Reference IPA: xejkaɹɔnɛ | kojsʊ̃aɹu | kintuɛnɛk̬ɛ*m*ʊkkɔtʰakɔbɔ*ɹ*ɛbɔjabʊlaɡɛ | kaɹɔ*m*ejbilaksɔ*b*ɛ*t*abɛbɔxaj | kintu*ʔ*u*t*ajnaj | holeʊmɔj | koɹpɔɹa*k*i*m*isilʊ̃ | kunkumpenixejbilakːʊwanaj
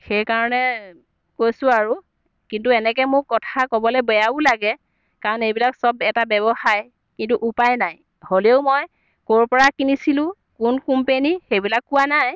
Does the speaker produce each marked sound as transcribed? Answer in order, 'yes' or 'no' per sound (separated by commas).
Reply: yes, no, no, yes, yes, yes, no, yes, no